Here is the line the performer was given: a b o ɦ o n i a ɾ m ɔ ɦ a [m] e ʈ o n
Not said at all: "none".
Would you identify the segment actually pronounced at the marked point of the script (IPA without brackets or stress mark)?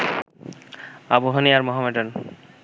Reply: m